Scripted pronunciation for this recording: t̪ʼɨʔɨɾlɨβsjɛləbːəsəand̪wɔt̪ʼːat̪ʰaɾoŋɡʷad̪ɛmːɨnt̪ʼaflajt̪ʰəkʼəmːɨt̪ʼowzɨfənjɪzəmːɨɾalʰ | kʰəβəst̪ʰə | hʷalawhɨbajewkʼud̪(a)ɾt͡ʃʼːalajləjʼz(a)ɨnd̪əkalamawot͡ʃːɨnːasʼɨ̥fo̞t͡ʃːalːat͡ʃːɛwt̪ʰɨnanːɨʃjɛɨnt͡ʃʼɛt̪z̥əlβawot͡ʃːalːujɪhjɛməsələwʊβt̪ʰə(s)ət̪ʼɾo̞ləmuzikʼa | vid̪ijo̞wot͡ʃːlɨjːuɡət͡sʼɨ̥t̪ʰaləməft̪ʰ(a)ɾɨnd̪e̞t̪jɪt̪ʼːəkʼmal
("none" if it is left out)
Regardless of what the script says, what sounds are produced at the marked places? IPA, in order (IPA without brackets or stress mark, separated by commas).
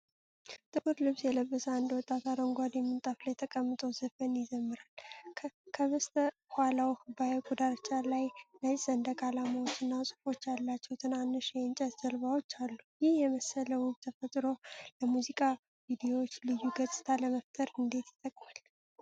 a, ə, f, ə